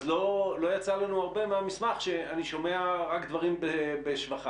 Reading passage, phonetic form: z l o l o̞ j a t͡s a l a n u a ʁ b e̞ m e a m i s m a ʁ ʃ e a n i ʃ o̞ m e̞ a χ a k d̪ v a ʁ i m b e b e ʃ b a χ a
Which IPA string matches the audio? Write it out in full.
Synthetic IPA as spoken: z l o l o̞ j a t͡s a l a n u a ʁ b e̞ m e a m i s m a χ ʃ e a n i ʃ o̞ m e̞ a ʁ a k d̪ v a ʁ i m b e b e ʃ v a χ a